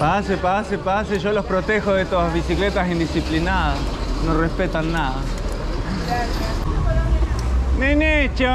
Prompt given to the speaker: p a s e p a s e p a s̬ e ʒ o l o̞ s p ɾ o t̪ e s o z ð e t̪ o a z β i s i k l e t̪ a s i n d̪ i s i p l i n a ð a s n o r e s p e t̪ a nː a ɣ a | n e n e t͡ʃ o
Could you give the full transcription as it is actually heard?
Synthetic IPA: p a s e p a s e p a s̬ e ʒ o l o̞ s p ɾ o t̪ e x o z ð e t̪ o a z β i s i k l e t̪ a s i n d̪ i s i p l i n a ð a s n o r e s p e t̪ a nː a ð a | n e n e t͡ʃ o

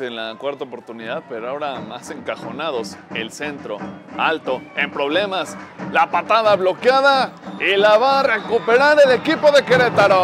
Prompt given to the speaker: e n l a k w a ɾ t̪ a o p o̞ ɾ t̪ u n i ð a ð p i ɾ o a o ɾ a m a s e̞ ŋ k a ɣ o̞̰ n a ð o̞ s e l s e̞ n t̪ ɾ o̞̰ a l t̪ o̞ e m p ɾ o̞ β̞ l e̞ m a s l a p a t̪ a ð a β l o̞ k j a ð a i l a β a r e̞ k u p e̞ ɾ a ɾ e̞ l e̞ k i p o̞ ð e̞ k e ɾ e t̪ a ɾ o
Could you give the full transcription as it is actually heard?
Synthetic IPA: e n l a k w a ɾ t̪ a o p o̞ ɾ t̪ u n i ð a ð p e ɾ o a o ɾ a m a s e̞ ŋ k a x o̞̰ n a ð o̞ s e l s e̞ n t̪ ɾ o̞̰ a l t̪ o̞ e m p ɾ o̞ β̞ l e̞ m a s l a p a t̪ a ð a β l o̞ k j a ð a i l a β a r e̞ k u p e̞ ɾ a ɾ e̞ l e̞ k i p o̞ ð e̞ k e ɾ e t̪ a ɾ o

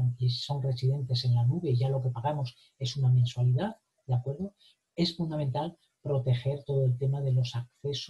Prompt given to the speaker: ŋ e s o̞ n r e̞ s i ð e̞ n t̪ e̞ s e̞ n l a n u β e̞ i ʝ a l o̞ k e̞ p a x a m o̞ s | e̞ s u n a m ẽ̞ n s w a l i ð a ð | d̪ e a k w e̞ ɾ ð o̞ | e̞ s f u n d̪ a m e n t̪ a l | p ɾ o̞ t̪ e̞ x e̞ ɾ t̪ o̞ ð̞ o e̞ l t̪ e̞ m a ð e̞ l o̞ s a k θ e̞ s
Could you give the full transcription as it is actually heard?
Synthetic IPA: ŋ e s o̞ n r e̞ s i ð e̞ n t̪ e̞ s e̞ n l a n u β e̞ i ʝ a l o̞ k e̞ p a ɣ a m o̞ s | e̞ s u n a m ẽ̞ n s w a l i ð a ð | d̪ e a k w e̞ ɾ ð o̞ | e̞ s f u n d̪ a m e n t̪ a l | p ɾ o̞ t̪ e̞ x e̞ ɾ t̪ o̞ ð̞ o e̞ l t̪ e̞ m a ð e̞ l o̞ s a k θ e̞ s

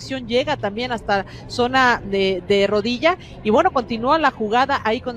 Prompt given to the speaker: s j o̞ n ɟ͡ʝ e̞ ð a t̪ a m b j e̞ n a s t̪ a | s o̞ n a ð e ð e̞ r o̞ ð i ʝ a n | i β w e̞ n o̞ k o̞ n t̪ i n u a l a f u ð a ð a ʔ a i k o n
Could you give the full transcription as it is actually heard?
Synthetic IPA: s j o̞ n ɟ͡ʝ e̞ ɣ a t̪ a m b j e̞ n a s t̪ a | s o̞ n a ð e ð e̞ r o̞ ð i ʝ a | i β w e̞ n o̞ k o̞ n t̪ i n u a l a x u ɣ a ð a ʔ a i k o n

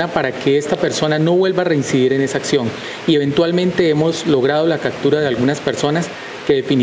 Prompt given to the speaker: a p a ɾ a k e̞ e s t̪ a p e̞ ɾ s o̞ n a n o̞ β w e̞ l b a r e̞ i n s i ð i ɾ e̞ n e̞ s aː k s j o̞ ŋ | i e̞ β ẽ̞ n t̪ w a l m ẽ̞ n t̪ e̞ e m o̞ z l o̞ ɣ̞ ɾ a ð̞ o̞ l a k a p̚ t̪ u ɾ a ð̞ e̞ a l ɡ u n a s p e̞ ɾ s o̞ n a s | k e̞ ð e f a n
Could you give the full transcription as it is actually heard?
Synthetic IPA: a p a ɾ a k e̞ e s t̪ a p e̞ ɾ s o̞ n a n o̞ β w e̞ l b a r e̞ i n s i ð i ɾ e̞ n e̞ s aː k s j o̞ ŋ | i e̞ β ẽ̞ n t̪ w a l m ẽ̞ n t̪ e̞ e m o̞ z l o̞ ɣ̞ ɾ a ð̞ o̞ l a k a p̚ t̪ u ɾ a ð̞ e̞ a l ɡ u n a s p e̞ ɾ s o̞ n a s | k e̞ ð e f i n

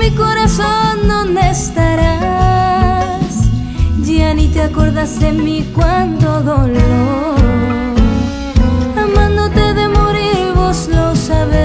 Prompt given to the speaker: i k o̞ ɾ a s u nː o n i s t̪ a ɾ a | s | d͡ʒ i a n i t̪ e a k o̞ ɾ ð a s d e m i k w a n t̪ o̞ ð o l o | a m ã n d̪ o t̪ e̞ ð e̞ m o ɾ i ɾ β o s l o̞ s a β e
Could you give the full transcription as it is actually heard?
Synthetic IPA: i k o̞ ɾ a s o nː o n e s t̪ a ɾ a | s | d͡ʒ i a n i t̪ e a k o̞ ɾ ð a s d e m i k w a n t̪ o̞ ð o l o | a m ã n d̪ o t̪ e̞ ð e̞ m o ɾ i ɾ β o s l o̞ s a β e

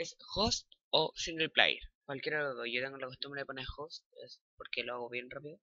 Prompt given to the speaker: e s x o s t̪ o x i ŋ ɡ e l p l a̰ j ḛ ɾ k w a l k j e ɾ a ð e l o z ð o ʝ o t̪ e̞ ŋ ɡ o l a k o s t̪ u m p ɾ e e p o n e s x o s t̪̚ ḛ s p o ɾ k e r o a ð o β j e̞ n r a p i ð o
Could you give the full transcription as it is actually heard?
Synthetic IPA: e s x o s t̪ o s i ŋ ɡ e l p l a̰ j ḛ ɾ k w a l k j e ɾ a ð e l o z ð o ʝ o t̪ e̞ ŋ ɡ o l a k o s t̪ u m b ɾ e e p o n e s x o s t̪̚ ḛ s p o ɾ k e l o a ɣ o β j e̞ n r a p i ð o

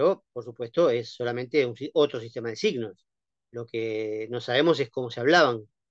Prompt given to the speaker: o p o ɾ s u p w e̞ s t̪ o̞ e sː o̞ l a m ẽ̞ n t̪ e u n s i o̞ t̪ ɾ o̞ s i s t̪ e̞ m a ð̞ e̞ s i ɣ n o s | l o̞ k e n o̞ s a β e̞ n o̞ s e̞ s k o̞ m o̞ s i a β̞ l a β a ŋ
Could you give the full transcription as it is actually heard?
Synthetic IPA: o p o ɾ s u p w e̞ s t̪ o̞ e sː o̞ l a m ẽ̞ n t̪ e u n s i o̞ t̪ ɾ o̞ s i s t̪ e̞ m a ð̞ e̞ s i ɣ n o s | l o̞ k e n o̞ s a β e̞ m o̞ s e̞ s k o̞ m o̞ s e a β̞ l a β a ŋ

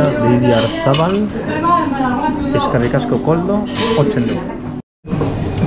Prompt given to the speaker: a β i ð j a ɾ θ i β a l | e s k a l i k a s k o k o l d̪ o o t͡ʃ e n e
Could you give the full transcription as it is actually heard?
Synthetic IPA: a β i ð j a ɾ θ a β a l | e s k a r i k a s k o k o l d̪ o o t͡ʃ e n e

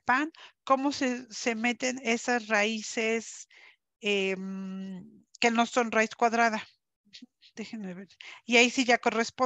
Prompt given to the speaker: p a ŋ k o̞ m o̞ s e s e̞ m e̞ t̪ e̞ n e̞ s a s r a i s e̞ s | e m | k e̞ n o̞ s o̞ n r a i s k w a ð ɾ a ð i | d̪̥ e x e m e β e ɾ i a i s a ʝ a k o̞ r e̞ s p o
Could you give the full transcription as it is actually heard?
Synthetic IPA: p a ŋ k o̞ m o̞ s e s e̞ m e̞ t̪ e̞ n e̞ s a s r a i s e̞ s | e m | k e̞ n o̞ s o̞ n r a i s k w a ð ɾ a ð a | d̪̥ e x e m e β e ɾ i a i s i ʝ a k o̞ r e̞ s p o

